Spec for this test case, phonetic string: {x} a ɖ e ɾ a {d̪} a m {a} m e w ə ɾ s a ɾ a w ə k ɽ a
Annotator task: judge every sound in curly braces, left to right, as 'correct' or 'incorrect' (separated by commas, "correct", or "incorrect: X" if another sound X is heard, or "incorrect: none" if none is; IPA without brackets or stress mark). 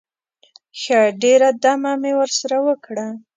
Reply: correct, correct, correct